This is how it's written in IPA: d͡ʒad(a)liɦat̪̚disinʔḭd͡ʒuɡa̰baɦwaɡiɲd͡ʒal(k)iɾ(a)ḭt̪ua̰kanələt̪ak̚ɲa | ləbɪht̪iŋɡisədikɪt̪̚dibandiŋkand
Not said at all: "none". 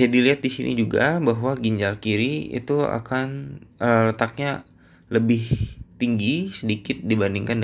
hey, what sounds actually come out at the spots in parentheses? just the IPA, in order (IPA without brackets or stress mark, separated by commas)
i, k, i